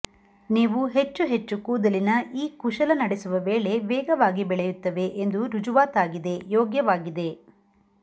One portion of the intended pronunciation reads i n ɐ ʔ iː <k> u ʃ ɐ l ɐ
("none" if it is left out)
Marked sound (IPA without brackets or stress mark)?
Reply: k